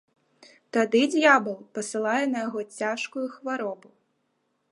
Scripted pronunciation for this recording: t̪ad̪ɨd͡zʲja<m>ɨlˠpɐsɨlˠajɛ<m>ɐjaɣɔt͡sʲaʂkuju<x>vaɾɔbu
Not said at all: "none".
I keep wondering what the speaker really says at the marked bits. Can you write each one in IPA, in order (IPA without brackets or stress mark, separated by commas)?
b, n, x